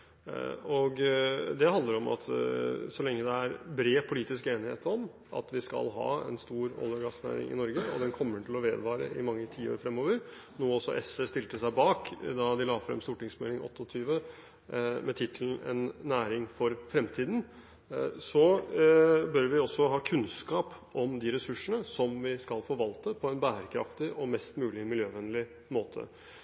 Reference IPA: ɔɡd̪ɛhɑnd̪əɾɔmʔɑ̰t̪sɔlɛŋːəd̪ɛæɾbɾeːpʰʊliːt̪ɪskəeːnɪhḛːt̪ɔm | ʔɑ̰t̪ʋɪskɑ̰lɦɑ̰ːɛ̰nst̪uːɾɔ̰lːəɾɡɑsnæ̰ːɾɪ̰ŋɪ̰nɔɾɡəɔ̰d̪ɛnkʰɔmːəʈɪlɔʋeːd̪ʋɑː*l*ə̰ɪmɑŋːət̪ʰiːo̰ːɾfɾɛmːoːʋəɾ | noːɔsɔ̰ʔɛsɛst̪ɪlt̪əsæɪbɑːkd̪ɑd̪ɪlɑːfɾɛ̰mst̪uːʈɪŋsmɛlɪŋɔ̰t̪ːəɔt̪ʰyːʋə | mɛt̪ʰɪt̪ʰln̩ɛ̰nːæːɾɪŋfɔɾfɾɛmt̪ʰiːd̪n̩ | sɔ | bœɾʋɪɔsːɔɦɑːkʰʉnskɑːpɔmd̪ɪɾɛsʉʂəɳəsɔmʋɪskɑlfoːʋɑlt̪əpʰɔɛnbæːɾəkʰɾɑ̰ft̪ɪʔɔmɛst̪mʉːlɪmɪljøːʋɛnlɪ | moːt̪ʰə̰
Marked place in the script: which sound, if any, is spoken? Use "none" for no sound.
ɾ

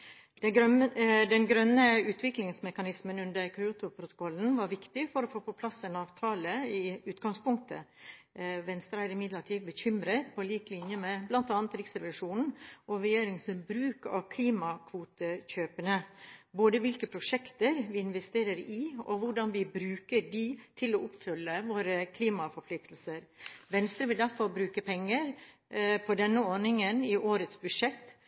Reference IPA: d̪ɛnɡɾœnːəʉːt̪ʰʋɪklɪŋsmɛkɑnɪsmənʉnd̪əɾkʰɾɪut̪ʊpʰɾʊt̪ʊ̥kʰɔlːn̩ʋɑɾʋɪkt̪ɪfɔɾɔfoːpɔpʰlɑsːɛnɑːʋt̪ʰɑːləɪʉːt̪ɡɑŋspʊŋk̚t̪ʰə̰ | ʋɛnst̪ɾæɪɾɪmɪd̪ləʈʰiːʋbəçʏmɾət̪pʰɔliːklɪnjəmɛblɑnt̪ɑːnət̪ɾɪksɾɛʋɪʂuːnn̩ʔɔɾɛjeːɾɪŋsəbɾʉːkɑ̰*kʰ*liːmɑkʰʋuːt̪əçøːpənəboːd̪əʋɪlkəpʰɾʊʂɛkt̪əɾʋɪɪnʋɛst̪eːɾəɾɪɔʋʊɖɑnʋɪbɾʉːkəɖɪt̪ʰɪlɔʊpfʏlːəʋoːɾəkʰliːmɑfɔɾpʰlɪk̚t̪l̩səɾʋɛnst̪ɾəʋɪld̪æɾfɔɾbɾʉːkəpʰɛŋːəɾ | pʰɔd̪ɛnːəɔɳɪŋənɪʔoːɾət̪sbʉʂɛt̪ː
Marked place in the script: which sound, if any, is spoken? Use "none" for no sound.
kʰ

